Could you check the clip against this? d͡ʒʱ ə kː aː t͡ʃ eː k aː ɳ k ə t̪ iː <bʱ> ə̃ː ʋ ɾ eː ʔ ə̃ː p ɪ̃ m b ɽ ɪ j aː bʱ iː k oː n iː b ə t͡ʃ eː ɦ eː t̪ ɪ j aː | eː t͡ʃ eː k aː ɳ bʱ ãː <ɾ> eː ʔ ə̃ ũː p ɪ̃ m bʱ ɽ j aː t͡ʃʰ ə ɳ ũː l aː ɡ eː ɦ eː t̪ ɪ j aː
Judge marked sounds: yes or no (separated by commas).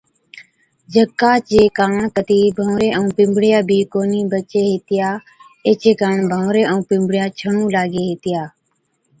yes, yes